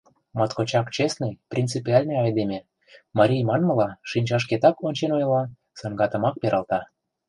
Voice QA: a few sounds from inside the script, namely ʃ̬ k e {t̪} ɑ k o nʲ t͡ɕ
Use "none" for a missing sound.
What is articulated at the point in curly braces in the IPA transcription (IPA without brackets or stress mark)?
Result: t̪